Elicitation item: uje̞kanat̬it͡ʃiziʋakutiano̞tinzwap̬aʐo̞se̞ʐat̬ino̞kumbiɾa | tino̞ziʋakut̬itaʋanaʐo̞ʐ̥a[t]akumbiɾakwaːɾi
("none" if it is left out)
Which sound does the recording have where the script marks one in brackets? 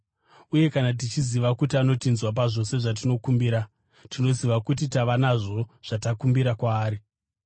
t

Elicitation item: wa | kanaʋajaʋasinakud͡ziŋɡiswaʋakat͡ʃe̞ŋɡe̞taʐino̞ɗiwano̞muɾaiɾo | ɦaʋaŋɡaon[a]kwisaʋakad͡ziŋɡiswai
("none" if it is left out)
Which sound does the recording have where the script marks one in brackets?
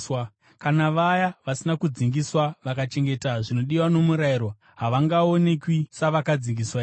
e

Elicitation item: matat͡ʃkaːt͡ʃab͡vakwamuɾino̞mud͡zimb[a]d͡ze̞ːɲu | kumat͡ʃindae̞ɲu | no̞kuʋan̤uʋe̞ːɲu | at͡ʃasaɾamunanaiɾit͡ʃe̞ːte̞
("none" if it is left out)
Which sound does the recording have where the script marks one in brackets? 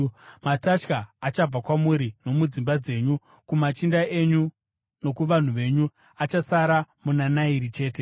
a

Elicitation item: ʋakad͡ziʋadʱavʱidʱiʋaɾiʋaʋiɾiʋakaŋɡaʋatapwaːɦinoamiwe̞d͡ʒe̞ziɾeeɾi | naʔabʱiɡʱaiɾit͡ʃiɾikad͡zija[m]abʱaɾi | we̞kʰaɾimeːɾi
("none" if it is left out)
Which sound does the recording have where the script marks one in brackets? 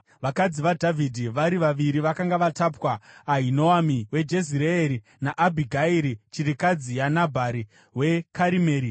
n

